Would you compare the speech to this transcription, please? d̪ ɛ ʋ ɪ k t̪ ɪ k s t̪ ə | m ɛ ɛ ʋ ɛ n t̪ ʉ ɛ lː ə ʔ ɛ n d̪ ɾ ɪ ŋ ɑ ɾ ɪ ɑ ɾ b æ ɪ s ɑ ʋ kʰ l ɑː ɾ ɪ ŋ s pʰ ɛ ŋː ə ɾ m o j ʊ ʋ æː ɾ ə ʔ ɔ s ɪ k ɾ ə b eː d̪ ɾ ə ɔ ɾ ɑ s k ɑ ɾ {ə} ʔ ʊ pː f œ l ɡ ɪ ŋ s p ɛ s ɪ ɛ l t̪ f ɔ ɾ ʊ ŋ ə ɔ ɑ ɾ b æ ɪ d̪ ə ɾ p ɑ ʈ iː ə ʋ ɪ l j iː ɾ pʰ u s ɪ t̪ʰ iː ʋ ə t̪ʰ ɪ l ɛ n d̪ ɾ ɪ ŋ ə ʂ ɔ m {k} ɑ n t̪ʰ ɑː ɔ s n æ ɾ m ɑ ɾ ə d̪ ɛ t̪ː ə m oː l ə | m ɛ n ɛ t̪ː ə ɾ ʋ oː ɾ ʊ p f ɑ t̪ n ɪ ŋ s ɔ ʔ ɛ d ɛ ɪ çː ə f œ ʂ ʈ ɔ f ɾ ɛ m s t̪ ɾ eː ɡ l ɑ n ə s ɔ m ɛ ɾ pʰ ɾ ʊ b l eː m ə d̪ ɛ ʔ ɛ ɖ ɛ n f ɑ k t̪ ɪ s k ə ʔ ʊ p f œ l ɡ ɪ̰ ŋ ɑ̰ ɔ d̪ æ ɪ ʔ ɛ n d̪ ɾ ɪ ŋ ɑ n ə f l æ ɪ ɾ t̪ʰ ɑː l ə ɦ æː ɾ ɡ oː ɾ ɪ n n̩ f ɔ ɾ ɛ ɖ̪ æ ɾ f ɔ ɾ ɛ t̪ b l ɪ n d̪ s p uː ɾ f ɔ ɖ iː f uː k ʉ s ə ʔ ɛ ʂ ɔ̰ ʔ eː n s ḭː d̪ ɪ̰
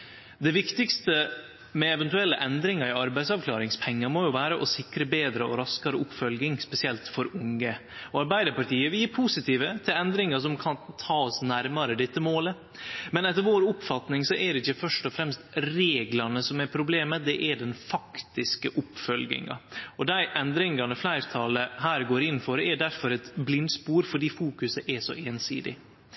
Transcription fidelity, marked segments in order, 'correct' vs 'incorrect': correct, incorrect: kʰ

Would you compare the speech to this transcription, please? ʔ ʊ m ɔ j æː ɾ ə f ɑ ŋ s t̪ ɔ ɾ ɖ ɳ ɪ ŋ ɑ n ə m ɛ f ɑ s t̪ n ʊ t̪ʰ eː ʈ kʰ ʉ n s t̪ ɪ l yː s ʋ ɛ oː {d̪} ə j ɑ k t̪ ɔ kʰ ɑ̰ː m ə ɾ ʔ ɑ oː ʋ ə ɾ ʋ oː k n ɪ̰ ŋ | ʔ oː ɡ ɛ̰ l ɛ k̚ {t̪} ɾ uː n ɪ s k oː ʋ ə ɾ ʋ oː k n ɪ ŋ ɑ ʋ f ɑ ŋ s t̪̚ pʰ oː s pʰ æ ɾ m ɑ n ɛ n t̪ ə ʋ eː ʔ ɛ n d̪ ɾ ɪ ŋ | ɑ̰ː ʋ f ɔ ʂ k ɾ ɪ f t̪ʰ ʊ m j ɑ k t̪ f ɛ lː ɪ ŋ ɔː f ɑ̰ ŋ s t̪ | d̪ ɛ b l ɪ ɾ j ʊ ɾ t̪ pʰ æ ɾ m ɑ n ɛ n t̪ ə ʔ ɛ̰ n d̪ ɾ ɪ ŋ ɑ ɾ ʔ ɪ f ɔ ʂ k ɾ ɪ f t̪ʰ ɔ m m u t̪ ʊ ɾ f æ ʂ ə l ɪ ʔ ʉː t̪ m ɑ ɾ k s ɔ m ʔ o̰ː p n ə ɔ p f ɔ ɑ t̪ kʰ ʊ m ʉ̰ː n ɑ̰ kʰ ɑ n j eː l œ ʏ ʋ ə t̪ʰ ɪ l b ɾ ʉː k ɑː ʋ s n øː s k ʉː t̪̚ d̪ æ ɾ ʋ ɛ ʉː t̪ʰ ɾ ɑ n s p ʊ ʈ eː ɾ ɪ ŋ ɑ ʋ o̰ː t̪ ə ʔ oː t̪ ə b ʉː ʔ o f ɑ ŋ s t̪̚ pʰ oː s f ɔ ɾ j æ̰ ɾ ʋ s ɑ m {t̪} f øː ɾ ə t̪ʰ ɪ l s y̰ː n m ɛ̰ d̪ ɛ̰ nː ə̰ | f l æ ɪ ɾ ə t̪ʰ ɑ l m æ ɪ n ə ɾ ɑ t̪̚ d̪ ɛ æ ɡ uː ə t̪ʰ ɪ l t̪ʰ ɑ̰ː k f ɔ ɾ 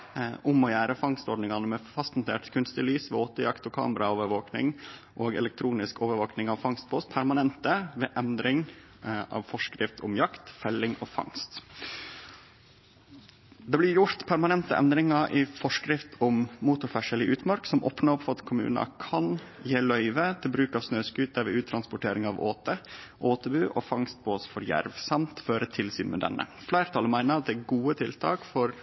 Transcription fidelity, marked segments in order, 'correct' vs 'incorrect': incorrect: t̪, incorrect: t̪ʰ, correct

